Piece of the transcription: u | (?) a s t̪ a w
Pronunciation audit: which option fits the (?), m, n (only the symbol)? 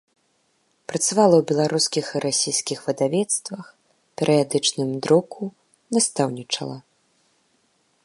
n